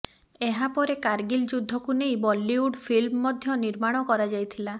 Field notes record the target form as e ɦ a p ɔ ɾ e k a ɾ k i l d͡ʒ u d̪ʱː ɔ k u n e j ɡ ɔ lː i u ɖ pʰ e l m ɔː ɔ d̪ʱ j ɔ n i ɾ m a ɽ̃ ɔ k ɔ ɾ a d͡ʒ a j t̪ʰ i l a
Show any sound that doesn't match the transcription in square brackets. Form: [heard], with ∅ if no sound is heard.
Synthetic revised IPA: e ɦ a p ɔ ɾ e k a ɾ [ɡ] i l d͡ʒ u d̪ʱː ɔ k u n e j [b] ɔ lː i u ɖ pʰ [i] l m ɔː ɔ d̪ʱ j ɔ n i ɾ m a ɽ̃ ɔ k ɔ ɾ a d͡ʒ a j t̪ʰ i l a